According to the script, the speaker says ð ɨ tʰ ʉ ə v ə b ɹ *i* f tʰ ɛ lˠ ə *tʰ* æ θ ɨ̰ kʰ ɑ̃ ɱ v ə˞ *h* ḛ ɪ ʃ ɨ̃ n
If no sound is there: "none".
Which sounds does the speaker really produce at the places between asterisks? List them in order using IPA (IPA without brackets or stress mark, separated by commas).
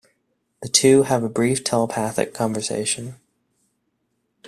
i, pʰ, s